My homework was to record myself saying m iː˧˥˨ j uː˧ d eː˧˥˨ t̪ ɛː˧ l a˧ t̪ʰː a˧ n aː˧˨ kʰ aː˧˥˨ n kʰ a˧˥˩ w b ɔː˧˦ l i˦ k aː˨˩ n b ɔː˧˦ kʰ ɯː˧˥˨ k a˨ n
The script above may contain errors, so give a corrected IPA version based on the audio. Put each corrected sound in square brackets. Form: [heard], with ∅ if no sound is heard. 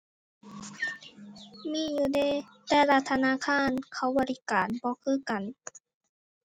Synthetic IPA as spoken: m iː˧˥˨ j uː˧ d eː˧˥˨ t̪ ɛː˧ l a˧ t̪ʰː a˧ n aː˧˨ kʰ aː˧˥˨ n kʰ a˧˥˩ w b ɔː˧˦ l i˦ k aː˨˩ n b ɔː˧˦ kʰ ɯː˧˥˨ k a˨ n